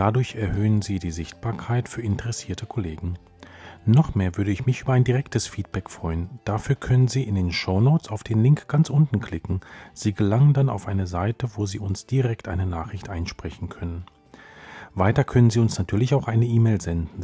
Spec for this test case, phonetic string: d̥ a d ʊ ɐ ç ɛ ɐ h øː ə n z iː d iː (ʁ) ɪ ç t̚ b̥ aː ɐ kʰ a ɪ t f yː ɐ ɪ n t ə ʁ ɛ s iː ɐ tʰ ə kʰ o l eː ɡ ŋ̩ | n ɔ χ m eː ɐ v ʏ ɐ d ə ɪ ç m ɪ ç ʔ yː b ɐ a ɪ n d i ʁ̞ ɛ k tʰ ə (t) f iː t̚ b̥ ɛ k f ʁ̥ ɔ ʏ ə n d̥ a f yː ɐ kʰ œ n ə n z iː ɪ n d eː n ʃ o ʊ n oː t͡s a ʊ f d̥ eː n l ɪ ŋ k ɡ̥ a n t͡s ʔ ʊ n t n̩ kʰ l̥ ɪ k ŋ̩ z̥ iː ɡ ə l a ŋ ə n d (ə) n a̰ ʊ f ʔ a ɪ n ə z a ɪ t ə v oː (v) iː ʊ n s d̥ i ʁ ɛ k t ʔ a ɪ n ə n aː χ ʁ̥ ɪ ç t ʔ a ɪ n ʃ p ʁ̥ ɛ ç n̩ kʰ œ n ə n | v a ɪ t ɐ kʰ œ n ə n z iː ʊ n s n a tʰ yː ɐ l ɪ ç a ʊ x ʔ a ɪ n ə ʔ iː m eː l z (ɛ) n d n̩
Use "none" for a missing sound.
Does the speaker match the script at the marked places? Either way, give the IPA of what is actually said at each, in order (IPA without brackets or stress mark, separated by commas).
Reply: z, s, a, z, ɛ